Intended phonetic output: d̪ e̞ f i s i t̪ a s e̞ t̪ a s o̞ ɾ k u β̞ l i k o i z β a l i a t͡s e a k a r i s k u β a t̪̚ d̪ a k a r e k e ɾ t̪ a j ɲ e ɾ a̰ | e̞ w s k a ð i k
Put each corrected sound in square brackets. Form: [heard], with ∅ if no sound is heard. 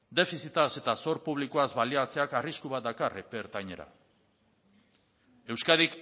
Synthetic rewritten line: d̪ e̞ f i s i t̪ a s e̞ t̪ a s o̞ ɾ [p] u β̞ l i k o [a] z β a l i a t͡s e a k a r i s k u β a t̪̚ d̪ a k a r e [p] e ɾ t̪ a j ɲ e ɾ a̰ | e̞ w s k a ð i k